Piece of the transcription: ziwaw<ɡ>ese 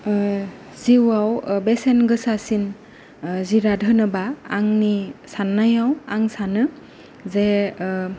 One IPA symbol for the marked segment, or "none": b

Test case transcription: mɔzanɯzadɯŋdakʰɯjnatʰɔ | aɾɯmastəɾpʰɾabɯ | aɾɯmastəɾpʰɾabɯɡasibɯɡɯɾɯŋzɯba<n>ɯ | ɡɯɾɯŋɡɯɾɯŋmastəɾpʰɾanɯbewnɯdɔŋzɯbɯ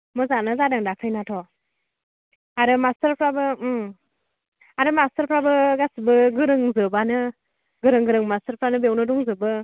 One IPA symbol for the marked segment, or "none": n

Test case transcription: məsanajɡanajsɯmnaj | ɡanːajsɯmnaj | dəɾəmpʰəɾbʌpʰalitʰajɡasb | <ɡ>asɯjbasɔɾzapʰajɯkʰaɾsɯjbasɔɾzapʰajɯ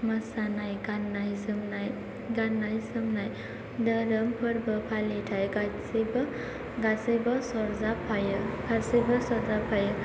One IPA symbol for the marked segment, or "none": ɡ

